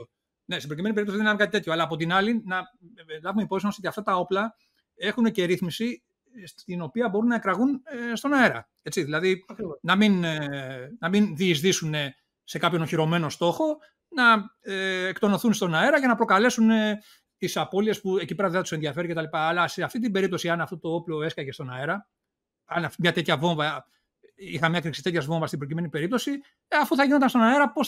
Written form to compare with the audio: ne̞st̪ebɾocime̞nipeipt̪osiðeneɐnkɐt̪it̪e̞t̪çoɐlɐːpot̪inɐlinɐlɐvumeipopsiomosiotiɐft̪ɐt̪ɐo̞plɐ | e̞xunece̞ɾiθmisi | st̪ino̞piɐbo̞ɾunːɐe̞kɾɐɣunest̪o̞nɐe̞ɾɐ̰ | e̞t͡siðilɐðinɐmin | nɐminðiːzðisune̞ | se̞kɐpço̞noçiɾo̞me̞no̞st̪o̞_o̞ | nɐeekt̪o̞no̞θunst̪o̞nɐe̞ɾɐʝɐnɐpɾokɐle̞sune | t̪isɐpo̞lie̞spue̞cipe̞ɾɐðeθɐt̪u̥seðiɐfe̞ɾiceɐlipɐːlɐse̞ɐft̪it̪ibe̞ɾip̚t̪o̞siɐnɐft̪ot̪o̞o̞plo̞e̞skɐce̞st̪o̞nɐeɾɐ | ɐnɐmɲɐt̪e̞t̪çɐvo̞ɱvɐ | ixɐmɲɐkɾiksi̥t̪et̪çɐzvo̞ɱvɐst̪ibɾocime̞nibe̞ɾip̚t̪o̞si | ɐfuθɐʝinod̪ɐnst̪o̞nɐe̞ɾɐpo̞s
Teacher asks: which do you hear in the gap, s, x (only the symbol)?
x